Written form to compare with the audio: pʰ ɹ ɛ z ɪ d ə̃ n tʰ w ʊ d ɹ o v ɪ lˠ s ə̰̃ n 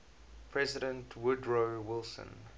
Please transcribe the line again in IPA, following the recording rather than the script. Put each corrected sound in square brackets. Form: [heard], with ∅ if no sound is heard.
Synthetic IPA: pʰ ɹ ɛ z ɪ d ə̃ n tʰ w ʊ d ɹ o [w] ɪ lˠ s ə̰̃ n